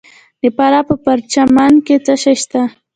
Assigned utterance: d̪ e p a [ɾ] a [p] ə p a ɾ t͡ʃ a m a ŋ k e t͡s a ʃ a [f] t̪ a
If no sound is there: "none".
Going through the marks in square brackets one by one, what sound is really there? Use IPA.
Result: ɾ, p, ʃ

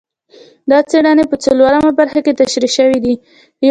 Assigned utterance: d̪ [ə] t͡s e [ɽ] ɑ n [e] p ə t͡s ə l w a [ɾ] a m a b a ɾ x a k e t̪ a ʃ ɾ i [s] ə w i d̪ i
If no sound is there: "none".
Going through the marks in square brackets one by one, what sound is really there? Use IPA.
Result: ɑ, ɽ, e, ɾ, ʃ

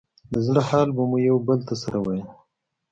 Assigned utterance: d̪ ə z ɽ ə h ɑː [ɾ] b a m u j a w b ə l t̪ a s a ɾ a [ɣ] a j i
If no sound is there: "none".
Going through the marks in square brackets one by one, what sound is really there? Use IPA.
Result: l, w

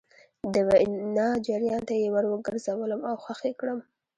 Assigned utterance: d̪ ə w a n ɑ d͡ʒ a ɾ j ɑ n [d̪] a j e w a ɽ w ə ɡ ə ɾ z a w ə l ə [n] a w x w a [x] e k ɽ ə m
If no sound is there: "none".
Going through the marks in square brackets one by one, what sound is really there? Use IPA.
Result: t̪, m, x

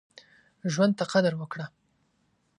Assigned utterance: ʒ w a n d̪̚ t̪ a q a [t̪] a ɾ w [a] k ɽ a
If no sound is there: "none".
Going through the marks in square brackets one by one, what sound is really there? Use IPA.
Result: d̪, ə

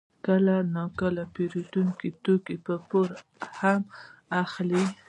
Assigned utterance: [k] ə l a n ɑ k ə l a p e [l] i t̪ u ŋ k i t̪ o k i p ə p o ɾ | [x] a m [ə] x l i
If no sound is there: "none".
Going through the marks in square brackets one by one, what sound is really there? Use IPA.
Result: k, ɾ, h, a

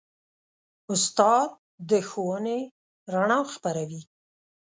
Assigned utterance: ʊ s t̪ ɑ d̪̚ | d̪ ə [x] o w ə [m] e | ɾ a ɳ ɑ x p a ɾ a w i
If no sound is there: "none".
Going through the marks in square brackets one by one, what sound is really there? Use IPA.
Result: x, n

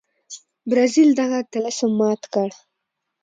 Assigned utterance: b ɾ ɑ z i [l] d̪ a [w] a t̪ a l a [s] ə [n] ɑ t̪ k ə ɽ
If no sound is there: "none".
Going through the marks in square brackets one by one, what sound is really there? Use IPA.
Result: l, ɣ, s, m

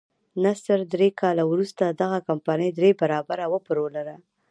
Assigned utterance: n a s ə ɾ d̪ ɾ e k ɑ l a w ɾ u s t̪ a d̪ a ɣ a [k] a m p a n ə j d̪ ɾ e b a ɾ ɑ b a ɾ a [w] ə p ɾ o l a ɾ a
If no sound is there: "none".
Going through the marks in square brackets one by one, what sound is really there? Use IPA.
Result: k, w

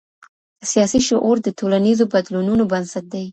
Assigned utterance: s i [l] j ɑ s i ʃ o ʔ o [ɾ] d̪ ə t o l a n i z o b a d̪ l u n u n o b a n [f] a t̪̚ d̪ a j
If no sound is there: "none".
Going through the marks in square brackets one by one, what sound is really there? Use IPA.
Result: none, ɾ, s

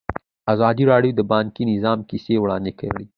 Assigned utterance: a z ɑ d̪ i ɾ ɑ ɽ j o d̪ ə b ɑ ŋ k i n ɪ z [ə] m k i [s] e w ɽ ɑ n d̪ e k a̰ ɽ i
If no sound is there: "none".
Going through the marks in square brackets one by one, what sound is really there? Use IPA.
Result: ɑ, s

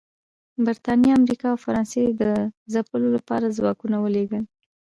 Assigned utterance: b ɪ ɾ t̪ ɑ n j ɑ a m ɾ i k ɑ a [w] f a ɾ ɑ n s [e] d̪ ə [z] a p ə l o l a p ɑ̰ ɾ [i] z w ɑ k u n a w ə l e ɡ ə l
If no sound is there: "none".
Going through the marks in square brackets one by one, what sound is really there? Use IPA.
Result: w, e, z, a

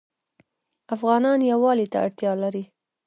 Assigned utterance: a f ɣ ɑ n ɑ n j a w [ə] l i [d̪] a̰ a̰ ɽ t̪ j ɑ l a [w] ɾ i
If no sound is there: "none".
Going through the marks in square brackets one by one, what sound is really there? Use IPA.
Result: ɑ, t̪, none

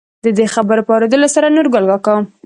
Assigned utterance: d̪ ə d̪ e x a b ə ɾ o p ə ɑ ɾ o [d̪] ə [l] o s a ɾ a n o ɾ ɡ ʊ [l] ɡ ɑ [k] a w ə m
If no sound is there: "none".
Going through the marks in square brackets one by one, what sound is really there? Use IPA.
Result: d̪, l, l, k

